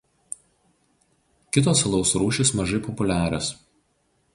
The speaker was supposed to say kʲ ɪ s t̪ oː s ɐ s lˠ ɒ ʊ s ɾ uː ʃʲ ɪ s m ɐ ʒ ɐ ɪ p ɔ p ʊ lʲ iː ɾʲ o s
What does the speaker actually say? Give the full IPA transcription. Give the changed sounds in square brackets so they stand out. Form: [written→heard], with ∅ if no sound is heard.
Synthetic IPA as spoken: kʲ ɪ [s→∅] t̪ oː s ɐ [s→∅] lˠ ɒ ʊ s ɾ uː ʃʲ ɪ s m ɐ ʒ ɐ ɪ p ɔ p ʊ lʲ [iː→æː] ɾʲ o s

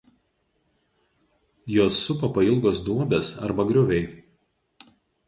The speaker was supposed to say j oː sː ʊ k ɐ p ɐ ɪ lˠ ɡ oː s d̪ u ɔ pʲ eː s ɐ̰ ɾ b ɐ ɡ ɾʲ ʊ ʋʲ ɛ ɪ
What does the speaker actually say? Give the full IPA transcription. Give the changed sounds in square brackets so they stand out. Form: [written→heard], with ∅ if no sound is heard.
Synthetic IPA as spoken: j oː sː ʊ [k→p] ɐ p ɐ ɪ lˠ ɡ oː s d̪ u ɔ [pʲ→bʲ] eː s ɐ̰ ɾ b ɐ ɡ ɾʲ ʊ ʋʲ ɛ ɪ

